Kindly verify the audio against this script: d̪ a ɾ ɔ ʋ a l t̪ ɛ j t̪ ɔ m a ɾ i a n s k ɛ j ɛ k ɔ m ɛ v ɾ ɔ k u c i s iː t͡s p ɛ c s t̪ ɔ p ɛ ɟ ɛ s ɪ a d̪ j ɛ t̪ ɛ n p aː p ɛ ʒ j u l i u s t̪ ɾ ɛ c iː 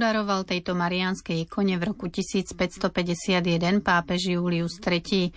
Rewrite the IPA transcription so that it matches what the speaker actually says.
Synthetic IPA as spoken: d̪ a ɾ ɔ ʋ a l t̪ ɛ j t̪ ɔ m a ɾ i a n s k ɛ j ɛ k ɔ ɲ ɛ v ɾ ɔ k u c i s iː t͡s p ɛ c s t̪ ɔ p ɛ ɟ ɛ s ɪ a d̪ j ɛ d̪ ɛ n p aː p ɛ ʒ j uː l i u s t̪ ɾ ɛ c iː